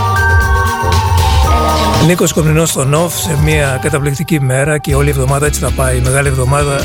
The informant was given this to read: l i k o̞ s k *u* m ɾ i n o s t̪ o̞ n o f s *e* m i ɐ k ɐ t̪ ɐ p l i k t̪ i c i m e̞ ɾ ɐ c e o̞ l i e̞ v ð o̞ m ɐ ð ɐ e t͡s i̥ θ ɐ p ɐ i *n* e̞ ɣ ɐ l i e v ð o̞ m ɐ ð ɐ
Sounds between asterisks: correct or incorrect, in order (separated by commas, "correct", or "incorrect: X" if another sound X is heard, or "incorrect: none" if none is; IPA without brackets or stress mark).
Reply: incorrect: o, correct, incorrect: m